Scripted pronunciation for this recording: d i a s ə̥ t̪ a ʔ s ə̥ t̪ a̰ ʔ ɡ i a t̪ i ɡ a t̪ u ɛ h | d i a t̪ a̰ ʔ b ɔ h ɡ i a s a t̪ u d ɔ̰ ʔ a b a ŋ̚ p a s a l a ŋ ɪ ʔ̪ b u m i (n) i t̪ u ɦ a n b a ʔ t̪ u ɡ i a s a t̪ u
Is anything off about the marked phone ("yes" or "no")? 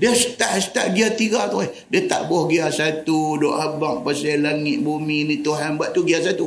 no